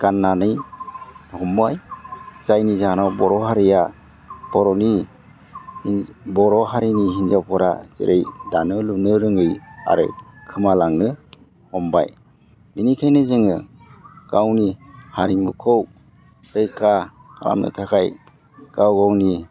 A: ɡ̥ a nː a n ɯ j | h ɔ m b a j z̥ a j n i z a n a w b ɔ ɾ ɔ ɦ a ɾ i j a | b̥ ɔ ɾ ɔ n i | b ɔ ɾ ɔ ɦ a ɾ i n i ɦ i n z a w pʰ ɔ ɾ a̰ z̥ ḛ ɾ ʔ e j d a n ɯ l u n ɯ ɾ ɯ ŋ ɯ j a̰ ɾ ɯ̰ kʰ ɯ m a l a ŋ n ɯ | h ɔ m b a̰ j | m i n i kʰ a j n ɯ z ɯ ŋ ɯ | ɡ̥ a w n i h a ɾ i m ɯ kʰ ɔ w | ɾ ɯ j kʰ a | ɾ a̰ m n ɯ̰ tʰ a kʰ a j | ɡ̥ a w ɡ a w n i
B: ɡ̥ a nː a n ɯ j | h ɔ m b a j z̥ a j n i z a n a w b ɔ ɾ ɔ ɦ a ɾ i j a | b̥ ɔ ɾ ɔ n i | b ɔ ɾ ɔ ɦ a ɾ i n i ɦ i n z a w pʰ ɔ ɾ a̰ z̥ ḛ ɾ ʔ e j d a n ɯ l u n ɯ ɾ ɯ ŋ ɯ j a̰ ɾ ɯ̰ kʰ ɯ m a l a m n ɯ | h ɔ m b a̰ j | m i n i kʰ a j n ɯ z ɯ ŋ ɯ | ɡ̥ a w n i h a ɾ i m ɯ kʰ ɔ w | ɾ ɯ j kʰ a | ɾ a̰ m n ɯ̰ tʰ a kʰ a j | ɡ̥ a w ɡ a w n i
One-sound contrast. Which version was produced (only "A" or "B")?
A